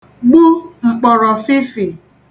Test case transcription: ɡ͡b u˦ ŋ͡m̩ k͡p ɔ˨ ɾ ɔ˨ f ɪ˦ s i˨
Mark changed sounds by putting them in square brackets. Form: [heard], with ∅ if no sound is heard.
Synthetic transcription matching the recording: ɡ͡b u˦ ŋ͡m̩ k͡p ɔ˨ ɾ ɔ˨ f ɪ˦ [f] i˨